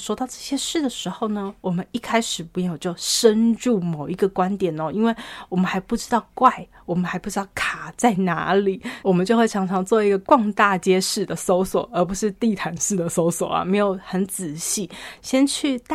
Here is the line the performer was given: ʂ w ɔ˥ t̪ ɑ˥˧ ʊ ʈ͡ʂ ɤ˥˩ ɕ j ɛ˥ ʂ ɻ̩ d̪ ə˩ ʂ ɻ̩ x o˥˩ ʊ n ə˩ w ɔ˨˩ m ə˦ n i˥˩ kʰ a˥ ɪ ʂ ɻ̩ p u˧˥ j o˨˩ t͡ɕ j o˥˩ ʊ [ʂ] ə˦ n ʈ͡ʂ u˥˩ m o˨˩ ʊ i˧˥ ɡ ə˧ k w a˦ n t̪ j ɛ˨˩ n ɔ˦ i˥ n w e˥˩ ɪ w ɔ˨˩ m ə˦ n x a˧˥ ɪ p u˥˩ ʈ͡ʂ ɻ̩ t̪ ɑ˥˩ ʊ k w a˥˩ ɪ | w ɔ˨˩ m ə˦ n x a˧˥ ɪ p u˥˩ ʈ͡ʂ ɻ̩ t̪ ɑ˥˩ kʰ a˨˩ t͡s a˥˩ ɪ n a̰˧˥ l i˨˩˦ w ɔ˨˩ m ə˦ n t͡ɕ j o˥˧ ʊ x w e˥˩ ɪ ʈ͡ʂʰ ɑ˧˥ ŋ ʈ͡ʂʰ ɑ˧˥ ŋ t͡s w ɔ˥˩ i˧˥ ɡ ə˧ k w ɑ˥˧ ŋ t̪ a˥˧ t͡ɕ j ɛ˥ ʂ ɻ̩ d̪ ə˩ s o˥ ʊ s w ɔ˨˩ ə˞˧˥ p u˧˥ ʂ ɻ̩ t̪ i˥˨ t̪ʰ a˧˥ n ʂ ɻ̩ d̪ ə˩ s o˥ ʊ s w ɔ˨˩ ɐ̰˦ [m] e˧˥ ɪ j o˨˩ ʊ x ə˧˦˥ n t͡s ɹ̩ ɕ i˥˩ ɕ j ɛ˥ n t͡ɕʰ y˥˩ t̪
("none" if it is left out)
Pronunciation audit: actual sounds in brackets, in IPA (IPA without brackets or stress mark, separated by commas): ʂ, m